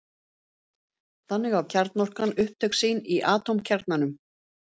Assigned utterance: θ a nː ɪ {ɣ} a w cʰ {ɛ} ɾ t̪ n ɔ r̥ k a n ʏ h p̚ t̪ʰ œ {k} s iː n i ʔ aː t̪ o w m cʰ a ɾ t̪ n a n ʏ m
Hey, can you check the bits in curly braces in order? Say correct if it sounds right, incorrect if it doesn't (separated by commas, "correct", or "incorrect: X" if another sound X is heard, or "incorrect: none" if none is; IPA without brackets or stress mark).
correct, incorrect: a, correct